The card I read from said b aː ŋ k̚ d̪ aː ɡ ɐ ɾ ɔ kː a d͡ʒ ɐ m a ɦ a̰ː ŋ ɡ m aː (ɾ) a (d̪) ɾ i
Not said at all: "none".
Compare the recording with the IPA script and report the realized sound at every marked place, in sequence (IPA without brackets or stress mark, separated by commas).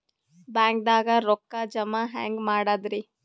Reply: ɽ, d̪